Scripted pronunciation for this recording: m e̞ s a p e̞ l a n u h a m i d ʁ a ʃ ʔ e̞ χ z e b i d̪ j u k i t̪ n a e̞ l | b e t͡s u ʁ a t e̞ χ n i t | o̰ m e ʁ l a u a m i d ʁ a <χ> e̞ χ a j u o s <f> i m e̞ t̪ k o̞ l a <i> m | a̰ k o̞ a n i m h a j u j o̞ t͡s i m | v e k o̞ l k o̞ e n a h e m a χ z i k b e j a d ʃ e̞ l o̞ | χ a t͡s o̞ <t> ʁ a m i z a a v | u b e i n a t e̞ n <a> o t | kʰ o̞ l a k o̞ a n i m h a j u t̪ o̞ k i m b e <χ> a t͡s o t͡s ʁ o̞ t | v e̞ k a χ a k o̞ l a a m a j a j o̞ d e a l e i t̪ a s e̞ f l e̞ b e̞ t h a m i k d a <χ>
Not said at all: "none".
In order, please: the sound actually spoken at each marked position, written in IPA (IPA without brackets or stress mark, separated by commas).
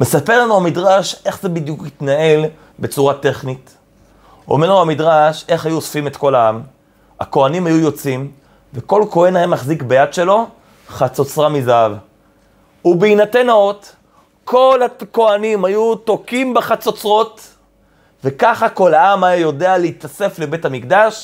ʃ, f, a, t͡s, a, χ, ʃ